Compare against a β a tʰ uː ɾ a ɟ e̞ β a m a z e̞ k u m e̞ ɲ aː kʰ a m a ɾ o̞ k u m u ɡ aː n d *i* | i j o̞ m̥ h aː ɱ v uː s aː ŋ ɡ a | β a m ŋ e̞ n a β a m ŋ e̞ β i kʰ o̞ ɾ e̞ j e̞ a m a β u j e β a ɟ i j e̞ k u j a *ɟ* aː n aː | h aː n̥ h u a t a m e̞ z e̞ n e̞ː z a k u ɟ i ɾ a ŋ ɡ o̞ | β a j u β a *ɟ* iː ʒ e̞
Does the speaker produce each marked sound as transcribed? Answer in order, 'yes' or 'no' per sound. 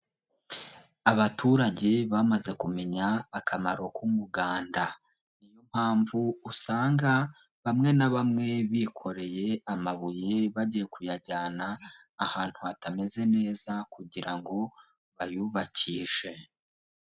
no, yes, no

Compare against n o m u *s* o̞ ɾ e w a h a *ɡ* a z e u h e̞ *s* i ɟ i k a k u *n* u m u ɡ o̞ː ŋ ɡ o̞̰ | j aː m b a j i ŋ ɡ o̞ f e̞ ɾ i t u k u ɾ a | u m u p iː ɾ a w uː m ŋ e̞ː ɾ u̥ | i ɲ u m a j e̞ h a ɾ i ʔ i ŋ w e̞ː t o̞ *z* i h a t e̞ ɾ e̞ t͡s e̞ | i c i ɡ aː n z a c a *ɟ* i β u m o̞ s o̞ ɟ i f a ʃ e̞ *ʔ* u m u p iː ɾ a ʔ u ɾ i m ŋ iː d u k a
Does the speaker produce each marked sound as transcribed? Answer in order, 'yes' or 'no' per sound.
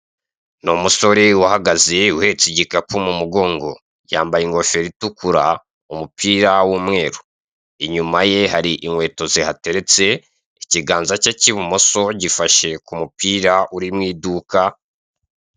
yes, yes, no, no, yes, no, no

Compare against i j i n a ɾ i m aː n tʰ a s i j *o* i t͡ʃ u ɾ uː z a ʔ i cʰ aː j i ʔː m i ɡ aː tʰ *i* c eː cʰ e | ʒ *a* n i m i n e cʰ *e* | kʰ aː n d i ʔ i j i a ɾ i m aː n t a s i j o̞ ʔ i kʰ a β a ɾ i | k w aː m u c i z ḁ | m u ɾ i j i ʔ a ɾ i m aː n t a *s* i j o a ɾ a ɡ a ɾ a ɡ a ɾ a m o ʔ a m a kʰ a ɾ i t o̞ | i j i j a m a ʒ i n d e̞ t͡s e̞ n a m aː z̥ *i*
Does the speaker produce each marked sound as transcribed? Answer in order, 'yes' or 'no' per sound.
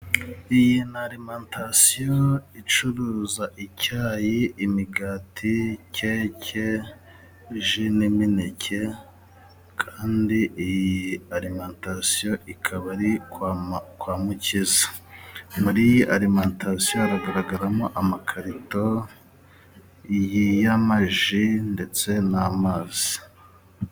yes, yes, no, yes, yes, yes

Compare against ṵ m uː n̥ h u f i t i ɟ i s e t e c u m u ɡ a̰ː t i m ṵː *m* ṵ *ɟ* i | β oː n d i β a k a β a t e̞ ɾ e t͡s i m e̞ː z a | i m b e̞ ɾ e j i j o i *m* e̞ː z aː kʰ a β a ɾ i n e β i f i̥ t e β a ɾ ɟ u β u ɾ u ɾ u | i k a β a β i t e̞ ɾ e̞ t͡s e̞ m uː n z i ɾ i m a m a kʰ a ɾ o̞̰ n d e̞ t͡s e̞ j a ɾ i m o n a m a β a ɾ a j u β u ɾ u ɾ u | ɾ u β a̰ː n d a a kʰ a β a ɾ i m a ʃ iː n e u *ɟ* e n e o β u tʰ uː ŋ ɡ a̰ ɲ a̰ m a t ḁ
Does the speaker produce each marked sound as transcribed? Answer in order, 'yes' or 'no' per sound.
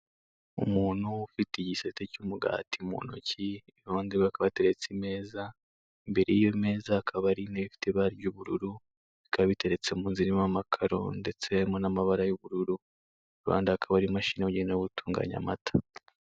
no, no, yes, yes

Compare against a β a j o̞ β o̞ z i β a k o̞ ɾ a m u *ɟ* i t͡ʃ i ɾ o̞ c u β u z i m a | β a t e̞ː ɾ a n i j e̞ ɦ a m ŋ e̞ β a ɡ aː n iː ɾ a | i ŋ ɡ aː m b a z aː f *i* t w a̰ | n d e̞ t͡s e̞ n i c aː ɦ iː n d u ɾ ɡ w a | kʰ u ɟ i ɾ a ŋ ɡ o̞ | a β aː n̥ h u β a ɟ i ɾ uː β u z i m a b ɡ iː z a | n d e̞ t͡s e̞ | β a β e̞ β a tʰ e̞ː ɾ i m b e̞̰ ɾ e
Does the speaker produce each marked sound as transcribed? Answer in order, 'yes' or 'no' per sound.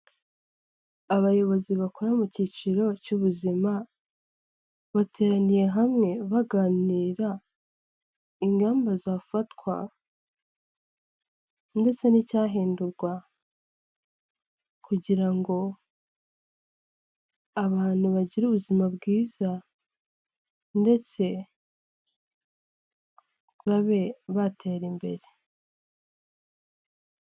no, no

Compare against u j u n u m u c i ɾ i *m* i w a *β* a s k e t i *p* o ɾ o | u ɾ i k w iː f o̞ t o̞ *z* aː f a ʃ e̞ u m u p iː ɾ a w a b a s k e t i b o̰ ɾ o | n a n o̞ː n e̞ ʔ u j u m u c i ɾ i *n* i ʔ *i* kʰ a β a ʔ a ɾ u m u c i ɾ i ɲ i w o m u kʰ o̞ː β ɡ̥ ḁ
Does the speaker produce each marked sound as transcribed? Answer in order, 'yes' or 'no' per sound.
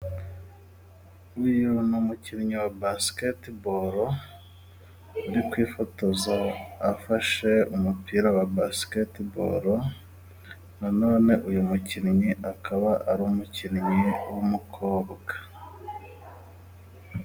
no, no, no, yes, no, no

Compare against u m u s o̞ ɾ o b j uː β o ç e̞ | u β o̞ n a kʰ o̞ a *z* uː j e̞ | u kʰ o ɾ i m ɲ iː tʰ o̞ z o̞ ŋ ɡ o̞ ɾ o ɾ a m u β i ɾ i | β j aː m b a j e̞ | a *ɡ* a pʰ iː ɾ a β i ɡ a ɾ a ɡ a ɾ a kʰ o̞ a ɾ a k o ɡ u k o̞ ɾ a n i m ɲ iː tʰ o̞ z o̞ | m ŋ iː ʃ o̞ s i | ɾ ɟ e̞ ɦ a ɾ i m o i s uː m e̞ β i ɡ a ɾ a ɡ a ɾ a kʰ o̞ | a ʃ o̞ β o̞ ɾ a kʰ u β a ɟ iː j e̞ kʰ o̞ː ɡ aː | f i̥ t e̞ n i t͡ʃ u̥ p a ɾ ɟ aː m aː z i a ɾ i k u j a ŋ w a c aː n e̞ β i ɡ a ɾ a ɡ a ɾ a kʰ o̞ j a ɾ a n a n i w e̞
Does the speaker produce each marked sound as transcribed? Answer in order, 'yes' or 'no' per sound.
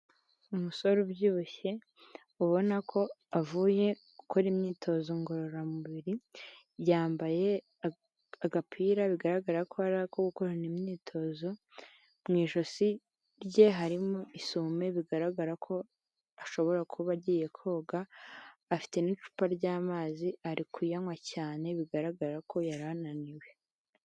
no, yes

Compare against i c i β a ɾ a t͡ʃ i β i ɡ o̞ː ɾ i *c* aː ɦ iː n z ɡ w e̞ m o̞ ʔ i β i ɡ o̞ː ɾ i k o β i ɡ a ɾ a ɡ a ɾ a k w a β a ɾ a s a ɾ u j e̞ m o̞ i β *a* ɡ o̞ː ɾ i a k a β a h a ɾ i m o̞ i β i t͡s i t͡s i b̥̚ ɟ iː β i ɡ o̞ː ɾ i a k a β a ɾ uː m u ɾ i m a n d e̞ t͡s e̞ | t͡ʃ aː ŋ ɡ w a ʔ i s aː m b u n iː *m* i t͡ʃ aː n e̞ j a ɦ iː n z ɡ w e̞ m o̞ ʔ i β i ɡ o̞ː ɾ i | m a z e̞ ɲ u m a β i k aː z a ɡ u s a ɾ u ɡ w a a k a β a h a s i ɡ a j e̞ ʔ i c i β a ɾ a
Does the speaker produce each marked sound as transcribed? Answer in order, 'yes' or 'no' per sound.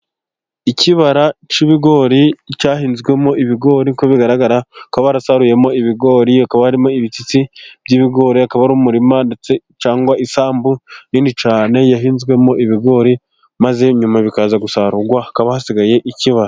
yes, no, no

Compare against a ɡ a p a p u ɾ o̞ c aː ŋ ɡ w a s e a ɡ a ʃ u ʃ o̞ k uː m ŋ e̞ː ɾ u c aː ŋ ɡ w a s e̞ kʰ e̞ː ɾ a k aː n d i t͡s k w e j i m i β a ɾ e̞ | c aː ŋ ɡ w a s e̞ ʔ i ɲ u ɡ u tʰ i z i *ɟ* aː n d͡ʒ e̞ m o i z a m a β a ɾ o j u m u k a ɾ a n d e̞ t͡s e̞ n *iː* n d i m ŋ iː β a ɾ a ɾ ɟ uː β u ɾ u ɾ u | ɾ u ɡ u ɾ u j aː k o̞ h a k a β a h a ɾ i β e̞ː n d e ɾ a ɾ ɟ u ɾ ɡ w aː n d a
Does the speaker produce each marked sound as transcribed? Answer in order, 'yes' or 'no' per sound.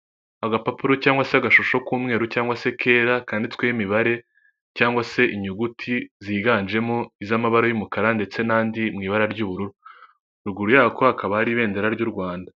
no, no

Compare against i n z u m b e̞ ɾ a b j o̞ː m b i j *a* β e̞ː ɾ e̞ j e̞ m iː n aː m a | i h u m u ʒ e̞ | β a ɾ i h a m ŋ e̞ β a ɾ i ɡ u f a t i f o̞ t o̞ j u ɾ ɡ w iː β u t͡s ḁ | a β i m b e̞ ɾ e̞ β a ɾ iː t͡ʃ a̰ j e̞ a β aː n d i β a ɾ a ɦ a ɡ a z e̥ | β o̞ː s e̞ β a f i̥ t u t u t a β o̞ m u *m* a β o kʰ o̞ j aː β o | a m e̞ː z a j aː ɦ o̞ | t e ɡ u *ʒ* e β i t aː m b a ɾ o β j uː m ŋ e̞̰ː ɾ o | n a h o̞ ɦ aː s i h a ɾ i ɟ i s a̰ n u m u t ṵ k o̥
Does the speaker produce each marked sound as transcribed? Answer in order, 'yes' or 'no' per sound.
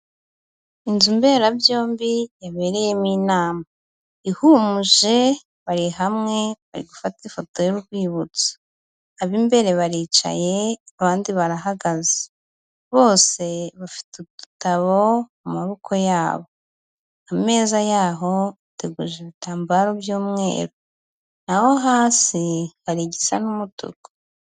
yes, yes, yes

